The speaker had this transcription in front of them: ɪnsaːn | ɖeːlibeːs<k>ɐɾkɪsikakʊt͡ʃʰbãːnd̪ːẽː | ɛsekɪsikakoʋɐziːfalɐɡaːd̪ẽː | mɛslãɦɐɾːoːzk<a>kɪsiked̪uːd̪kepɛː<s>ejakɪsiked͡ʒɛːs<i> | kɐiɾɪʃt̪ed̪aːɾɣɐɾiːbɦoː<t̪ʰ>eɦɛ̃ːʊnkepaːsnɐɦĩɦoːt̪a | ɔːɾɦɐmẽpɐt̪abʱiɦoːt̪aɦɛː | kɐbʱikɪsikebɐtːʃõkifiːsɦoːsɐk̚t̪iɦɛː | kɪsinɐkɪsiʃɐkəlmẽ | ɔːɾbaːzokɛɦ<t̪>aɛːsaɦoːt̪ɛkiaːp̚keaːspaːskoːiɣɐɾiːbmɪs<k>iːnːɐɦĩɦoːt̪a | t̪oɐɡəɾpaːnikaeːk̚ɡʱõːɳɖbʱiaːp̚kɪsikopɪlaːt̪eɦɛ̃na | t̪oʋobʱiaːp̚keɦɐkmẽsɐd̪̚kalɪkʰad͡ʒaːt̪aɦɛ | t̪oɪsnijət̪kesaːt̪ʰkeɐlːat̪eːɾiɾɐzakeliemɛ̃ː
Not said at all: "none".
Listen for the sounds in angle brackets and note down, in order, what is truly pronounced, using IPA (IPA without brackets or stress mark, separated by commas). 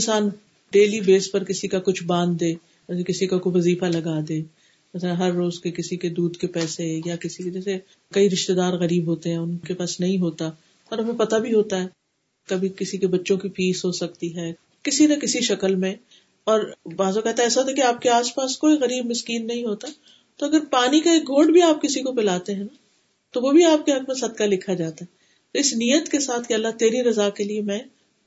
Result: p, e, s, e, t̪, t̪, k